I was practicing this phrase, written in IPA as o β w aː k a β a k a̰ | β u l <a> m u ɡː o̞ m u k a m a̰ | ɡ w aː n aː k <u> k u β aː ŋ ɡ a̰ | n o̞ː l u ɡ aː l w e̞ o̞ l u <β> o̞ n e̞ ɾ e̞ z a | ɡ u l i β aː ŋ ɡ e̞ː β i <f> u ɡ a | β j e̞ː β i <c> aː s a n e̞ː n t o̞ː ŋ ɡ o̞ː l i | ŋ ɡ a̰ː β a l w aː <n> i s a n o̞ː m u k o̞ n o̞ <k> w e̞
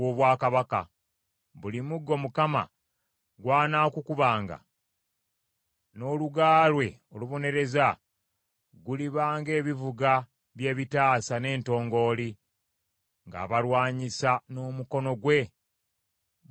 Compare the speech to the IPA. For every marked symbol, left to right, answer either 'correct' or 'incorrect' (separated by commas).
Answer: incorrect, correct, correct, incorrect, incorrect, incorrect, incorrect